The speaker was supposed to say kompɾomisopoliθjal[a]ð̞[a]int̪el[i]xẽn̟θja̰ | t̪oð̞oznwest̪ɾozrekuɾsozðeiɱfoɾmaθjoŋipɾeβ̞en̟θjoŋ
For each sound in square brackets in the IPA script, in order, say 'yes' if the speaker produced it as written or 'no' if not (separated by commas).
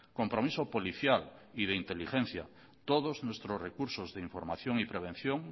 no, no, yes